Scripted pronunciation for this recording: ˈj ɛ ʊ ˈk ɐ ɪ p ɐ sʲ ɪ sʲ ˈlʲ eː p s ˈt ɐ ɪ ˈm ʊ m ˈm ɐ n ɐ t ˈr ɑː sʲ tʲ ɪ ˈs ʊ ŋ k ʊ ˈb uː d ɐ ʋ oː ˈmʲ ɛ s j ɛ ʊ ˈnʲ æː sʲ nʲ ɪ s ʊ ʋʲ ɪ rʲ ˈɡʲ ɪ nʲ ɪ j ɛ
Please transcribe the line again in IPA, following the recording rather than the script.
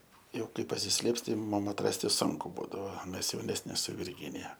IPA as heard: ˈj ɛ ʊ ˈk ɐ ɪ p ɐ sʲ ɪ sʲ ˈlʲ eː p s ˈt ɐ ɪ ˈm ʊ m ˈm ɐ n ɐ t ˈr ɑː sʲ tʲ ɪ ˈs ʊ ŋ k ʊ ˈb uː d ɐ ʋ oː ˈmʲ ɛ s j ɛ ʊ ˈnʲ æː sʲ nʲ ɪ s ʊ ʋʲ ɪ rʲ ˈɡʲ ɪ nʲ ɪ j ɛ